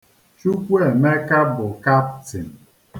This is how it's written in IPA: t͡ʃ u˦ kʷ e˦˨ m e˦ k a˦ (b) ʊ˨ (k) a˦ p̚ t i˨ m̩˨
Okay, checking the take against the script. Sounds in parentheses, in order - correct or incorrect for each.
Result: correct, correct

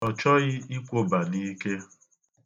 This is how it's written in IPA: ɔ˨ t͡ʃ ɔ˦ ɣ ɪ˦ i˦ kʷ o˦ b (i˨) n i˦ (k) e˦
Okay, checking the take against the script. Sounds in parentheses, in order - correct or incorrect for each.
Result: incorrect: a˨, correct

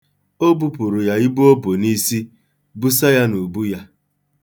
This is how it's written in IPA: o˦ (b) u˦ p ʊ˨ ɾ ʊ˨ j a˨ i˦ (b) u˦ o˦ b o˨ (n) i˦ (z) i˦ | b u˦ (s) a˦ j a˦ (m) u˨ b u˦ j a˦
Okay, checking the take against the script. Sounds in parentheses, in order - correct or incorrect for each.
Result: correct, correct, correct, incorrect: s, correct, incorrect: n

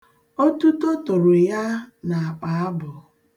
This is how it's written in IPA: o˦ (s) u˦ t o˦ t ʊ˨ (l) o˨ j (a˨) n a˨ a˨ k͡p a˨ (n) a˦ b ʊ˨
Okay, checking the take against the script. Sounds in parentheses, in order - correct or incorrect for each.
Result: incorrect: t, incorrect: ɾ, incorrect: a˦, incorrect: none

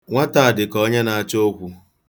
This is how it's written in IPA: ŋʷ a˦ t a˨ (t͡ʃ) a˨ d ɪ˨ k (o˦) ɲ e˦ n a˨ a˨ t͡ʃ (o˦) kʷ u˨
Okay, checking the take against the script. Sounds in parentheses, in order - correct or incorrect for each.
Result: incorrect: none, incorrect: ɔ˦, correct

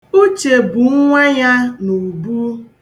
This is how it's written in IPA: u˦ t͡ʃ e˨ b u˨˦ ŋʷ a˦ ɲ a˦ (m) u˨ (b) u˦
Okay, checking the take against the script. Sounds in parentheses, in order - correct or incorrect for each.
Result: incorrect: n, correct

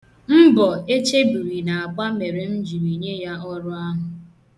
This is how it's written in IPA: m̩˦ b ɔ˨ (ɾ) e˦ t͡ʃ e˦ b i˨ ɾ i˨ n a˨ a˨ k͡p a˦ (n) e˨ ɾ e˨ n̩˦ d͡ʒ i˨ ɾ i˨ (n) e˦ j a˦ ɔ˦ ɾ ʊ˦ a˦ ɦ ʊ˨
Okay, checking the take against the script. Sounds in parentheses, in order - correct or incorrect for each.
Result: incorrect: none, incorrect: m, incorrect: ɲ

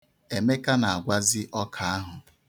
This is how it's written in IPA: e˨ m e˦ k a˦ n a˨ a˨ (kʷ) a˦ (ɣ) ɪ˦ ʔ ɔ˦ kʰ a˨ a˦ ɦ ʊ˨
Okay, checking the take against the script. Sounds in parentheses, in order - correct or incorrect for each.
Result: incorrect: ɡʷ, incorrect: z

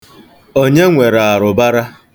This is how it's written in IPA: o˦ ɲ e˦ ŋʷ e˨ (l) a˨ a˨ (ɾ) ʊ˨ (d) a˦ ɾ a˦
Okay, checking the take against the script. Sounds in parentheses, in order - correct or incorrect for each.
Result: incorrect: ɾ, correct, incorrect: b

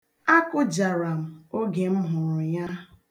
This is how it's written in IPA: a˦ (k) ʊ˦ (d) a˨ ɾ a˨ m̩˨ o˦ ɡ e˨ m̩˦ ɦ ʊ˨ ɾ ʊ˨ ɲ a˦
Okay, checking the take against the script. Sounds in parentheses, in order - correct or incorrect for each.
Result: correct, incorrect: d͡ʒ

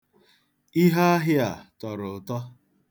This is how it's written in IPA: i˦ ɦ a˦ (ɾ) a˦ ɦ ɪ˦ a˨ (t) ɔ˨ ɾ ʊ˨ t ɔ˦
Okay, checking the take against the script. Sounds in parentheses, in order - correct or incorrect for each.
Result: incorrect: none, correct

